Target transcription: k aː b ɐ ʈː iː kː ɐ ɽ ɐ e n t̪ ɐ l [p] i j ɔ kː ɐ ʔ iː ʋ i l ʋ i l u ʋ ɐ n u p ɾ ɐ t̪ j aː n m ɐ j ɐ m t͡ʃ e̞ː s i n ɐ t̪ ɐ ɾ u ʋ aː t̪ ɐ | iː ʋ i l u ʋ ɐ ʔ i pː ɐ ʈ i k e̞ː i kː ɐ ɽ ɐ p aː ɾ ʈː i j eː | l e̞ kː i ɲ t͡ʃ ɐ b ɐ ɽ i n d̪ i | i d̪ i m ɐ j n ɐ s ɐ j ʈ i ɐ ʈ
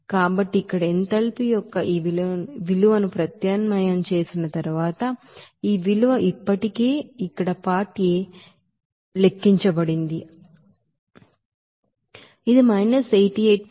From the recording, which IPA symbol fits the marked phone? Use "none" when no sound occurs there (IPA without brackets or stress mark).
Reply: p